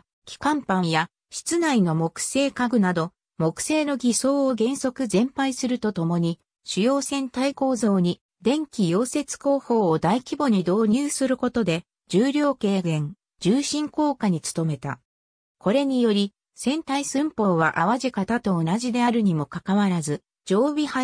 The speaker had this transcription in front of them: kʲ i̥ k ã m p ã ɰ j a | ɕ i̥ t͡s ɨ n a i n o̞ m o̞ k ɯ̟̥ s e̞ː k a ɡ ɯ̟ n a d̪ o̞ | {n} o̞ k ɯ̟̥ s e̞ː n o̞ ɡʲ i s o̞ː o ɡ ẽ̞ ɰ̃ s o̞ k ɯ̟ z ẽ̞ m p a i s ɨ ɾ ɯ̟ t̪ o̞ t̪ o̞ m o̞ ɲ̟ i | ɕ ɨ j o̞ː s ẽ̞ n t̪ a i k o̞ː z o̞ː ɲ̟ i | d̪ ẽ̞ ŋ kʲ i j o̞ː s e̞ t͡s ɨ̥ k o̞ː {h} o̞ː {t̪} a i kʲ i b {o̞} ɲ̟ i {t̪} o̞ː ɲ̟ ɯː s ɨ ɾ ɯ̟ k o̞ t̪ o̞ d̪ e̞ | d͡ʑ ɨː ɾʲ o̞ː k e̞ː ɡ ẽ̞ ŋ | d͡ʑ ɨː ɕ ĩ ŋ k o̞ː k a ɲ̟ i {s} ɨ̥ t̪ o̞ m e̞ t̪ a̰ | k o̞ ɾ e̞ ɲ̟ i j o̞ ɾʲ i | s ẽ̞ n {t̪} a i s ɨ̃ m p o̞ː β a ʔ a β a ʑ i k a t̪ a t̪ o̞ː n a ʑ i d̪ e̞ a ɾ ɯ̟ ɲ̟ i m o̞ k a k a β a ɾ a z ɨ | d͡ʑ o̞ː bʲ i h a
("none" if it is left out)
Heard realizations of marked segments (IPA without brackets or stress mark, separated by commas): m, h, d̪, o̞, d̪, t͡s, t̪